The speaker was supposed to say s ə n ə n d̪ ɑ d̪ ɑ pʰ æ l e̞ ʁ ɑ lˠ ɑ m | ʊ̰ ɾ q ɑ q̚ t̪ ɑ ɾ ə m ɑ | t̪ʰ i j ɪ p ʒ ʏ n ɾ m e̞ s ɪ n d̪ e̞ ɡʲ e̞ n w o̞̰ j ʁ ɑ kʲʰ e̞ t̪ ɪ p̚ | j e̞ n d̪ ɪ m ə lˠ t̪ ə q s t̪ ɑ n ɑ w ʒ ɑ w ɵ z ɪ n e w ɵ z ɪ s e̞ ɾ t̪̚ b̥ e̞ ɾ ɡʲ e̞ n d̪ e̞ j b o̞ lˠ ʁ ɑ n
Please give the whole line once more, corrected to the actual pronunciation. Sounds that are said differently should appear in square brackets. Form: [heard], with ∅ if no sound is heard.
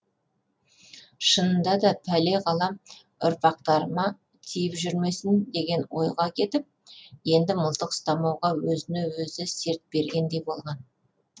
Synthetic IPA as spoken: [ʃ] ə n ə n d̪ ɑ d̪ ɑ pʰ æ l e̞ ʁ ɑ lˠ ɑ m | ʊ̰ ɾ [p] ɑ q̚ t̪ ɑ ɾ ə m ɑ | t̪ʰ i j ɪ p ʒ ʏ [∅] ɾ m e̞ s ɪ n d̪ e̞ ɡʲ e̞ n w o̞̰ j ʁ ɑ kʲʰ e̞ t̪ ɪ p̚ | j e̞ n d̪ ɪ m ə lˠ t̪ ə q s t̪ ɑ [m] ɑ w [ʁ] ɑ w ɵ z ɪ n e w ɵ z ɪ s e̞ ɾ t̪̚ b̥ e̞ ɾ ɡʲ e̞ n d̪ e̞ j b o̞ lˠ ʁ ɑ n